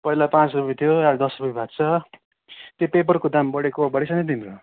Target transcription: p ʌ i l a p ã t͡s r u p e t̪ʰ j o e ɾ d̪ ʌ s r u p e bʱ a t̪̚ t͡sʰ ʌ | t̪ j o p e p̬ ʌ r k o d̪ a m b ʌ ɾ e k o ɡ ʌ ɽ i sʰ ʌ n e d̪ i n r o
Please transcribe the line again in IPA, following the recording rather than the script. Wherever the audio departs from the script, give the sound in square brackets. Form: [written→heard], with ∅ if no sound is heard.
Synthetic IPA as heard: p ʌ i l a p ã t͡s r u p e t̪ʰ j o [e→a] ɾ d̪ ʌ s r u p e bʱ a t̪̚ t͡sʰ ʌ | t̪ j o p e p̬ ʌ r k o d̪ a m b ʌ [ɾ→ɽ] e k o [ɡ→b] ʌ ɽ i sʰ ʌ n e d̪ i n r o